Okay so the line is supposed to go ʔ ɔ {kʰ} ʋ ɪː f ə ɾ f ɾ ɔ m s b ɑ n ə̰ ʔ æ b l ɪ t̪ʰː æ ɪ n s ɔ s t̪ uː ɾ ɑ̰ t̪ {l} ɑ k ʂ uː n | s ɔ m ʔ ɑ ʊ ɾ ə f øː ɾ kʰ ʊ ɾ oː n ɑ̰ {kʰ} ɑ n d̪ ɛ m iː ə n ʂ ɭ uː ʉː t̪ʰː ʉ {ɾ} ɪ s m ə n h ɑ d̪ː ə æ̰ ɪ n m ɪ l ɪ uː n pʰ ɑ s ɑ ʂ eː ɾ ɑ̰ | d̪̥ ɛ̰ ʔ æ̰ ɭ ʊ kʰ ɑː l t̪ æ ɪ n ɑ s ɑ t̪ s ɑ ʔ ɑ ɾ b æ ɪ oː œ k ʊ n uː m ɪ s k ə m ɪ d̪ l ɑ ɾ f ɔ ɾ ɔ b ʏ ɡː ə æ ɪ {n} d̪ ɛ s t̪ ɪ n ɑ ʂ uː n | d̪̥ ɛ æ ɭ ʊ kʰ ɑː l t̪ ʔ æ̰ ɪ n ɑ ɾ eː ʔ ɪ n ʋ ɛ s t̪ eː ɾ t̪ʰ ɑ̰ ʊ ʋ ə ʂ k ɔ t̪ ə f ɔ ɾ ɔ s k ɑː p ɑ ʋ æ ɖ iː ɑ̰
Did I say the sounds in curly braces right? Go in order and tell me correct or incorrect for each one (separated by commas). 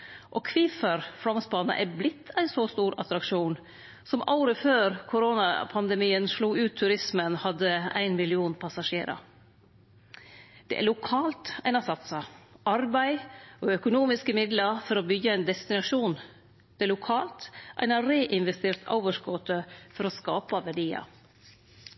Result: correct, incorrect, incorrect, correct, correct